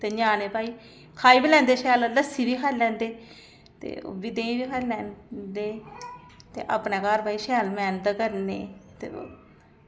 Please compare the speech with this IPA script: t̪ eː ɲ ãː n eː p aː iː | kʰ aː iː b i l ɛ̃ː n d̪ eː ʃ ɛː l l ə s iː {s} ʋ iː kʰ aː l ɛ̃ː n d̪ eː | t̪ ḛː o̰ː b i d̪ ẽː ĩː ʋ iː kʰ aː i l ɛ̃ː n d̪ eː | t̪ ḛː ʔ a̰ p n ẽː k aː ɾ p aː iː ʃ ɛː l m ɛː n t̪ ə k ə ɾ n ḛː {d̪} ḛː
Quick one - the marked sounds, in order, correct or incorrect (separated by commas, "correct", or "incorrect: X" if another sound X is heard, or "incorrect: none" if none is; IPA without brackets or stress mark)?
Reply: incorrect: none, incorrect: t̪